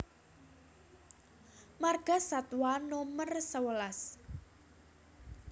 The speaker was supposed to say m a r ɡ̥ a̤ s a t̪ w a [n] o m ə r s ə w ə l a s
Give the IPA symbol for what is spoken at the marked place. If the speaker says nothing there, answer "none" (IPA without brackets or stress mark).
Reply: n